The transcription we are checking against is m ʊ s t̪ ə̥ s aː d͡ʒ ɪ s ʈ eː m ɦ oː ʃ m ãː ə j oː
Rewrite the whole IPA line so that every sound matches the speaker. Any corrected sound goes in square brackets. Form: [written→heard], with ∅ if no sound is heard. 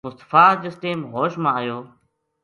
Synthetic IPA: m ʊ s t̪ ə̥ [s→f] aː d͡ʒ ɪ s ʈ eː m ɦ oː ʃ m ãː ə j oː